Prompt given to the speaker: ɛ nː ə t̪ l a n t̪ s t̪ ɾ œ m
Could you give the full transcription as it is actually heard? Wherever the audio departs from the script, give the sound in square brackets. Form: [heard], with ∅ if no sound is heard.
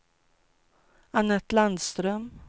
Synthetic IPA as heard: [a] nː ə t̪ l a n [d̪] s t̪ ɾ œ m